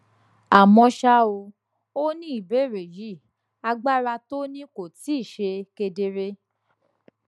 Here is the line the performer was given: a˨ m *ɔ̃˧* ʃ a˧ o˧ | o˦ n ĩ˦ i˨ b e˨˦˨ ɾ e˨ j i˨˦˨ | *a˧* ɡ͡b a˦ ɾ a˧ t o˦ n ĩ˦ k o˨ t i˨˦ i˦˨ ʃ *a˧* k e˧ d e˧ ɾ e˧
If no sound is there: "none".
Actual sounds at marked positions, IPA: ɔ̃˧, a˧, e˧

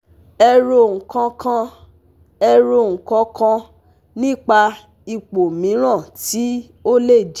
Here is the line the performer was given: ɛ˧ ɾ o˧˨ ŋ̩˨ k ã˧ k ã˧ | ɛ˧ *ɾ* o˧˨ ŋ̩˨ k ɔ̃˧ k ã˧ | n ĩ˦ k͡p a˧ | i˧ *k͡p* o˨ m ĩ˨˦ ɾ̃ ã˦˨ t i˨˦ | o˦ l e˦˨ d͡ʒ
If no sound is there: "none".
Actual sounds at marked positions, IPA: ɾ, k͡p

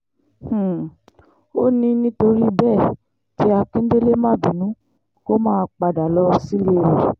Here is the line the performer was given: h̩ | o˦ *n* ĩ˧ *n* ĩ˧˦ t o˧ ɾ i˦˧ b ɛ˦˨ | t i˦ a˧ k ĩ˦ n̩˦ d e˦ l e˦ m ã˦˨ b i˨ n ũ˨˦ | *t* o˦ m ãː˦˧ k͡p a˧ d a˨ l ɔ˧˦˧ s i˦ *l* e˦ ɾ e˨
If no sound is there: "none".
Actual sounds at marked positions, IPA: n, n, k, l

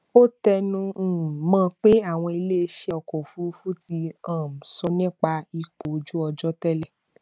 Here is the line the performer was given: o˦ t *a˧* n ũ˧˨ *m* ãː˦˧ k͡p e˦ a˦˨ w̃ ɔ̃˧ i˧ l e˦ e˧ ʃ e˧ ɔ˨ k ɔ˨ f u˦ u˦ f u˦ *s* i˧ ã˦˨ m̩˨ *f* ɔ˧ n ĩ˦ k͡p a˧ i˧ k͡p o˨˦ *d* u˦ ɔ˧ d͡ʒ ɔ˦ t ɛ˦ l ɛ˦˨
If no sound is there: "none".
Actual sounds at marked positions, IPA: ɛ˧, m, t, s, d͡ʒ

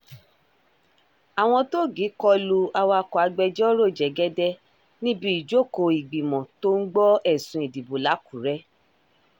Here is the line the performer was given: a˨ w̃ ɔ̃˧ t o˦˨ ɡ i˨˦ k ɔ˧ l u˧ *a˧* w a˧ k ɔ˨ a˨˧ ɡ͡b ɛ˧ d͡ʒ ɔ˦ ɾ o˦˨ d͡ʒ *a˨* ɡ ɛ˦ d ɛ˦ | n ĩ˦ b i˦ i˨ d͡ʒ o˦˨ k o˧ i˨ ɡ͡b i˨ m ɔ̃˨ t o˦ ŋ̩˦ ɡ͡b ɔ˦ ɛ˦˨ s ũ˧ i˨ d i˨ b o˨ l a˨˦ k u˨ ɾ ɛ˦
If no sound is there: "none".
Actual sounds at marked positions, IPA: a˧, ɛ˨

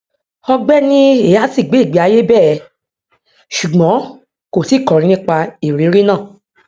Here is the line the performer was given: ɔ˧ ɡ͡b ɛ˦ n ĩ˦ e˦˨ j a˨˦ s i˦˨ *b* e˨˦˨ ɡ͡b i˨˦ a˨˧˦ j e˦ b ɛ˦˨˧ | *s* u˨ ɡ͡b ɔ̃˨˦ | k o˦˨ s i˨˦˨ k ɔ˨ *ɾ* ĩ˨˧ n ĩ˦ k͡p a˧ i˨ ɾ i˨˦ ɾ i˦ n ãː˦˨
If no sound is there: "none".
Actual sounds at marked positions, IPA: ɡ͡b, ʃ, ɾ

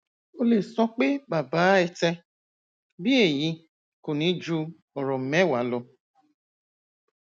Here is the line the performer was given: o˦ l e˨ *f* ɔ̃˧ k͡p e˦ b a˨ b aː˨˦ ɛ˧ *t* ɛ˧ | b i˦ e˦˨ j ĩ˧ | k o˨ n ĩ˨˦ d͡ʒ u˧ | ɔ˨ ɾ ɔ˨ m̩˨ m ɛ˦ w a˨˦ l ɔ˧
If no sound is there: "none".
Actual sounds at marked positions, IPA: s, t

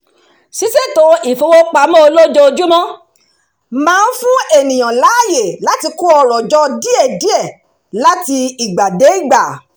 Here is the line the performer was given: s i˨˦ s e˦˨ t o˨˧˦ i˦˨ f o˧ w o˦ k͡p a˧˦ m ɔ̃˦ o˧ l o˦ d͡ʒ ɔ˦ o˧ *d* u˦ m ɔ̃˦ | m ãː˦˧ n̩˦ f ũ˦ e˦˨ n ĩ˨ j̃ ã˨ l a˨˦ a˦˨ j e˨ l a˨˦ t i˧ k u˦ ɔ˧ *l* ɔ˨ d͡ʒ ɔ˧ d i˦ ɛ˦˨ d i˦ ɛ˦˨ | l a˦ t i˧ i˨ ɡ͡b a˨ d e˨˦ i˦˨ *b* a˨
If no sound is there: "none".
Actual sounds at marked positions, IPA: d͡ʒ, ɾ, ɡ͡b

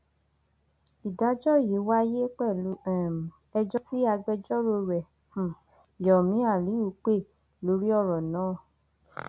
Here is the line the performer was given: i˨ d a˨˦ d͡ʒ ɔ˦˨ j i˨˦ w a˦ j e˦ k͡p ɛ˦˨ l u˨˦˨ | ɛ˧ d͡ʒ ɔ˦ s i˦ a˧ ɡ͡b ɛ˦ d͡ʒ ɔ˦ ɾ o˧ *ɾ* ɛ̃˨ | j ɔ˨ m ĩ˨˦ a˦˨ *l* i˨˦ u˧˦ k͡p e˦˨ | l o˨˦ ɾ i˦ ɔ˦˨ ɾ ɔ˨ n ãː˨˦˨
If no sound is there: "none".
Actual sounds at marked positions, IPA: ɾ, l

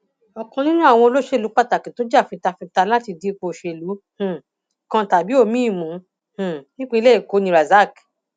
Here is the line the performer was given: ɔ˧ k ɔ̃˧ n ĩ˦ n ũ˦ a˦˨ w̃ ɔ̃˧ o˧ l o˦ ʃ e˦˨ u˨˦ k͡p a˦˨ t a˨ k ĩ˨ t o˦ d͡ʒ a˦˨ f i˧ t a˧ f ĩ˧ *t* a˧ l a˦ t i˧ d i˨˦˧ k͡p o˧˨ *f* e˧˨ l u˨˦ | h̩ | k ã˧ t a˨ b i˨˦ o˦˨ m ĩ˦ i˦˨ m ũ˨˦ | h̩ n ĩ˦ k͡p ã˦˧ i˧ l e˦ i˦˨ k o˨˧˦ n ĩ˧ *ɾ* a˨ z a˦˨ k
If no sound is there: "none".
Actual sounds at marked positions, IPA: t, ʃ, ɾ

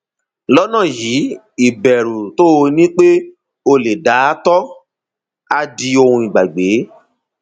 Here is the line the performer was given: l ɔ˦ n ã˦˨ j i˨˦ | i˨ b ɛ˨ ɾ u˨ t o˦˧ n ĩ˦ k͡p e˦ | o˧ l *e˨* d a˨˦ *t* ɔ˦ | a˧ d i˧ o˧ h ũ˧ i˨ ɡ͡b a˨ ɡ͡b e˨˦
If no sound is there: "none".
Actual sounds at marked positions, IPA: e˨, t

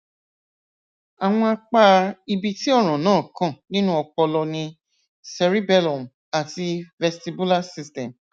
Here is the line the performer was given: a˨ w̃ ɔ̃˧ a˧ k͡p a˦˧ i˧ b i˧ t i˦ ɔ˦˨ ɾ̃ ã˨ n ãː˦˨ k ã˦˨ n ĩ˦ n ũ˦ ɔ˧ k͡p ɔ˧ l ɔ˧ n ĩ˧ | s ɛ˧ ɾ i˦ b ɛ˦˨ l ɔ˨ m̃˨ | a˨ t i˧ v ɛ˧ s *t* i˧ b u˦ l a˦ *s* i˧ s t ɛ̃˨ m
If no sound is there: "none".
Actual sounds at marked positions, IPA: t, s

